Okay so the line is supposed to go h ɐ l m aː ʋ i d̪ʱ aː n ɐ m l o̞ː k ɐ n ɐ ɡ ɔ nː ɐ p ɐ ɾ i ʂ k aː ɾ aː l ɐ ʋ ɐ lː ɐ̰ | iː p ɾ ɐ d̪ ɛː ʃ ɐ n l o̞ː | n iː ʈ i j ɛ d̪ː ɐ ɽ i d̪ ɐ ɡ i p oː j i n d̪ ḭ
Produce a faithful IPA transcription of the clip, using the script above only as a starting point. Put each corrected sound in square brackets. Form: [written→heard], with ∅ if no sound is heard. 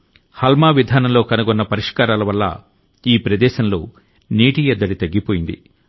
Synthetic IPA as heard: h ɐ l m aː ʋ i d̪ʱ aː n ɐ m l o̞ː k ɐ n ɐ ɡ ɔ nː ɐ p ɐ ɾ i ʂ k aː ɾ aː l ɐ ʋ ɐ lː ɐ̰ | iː p ɾ ɐ d̪ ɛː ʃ ɐ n l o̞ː | n iː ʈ i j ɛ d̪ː ɐ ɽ i [d̪→t̪] ɐ [ɡ→ɡː] i p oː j i n d̪ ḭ